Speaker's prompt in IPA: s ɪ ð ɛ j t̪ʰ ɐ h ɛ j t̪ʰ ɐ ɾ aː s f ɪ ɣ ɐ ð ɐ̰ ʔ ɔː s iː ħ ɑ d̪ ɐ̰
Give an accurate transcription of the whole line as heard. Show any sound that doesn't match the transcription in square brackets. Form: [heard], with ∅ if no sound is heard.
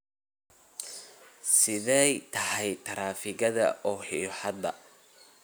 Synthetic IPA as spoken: s ɪ ð ɛ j t̪ʰ ɐ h ɛ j t̪ʰ ɐ ɾ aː [∅] f ɪ ɣ ɐ ð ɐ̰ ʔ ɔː [ħ] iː ħ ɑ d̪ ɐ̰